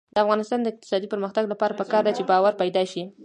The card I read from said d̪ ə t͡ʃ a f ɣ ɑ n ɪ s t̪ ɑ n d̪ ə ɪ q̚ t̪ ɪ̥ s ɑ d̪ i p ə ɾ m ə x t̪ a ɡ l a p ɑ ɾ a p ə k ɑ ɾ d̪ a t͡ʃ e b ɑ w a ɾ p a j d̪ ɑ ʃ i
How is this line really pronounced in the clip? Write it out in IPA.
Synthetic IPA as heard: d̪ ə a f ɣ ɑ n ɪ s t̪ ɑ n d̪ ə ɪ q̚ t̪ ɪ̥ s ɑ d̪ i p ə ɾ m ə x t̪ a ɡ l a p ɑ ɾ a p ə k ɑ ɾ d̪ a t͡ʃ e b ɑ w a ɾ p a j d̪ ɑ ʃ i